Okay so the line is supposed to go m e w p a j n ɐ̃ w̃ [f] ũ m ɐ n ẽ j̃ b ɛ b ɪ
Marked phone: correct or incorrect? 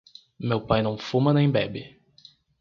correct